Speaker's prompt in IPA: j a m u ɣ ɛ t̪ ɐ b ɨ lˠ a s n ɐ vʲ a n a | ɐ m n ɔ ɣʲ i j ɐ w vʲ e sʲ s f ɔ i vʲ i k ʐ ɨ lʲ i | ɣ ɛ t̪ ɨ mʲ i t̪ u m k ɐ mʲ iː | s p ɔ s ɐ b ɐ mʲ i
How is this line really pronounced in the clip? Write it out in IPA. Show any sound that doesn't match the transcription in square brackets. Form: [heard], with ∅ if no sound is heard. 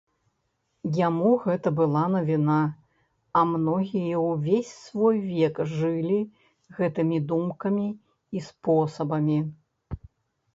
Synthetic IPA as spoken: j a m u ɣ ɛ t̪ ɐ b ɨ lˠ a [∅] n ɐ vʲ [i] n a | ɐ m n ɔ ɣʲ i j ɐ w vʲ e sʲ s [v] ɔ [j] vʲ [ɛ] k ʐ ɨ lʲ i | ɣ ɛ t̪ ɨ mʲ i [d̪] u m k ɐ mʲ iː | s p ɔ s ɐ b ɐ mʲ i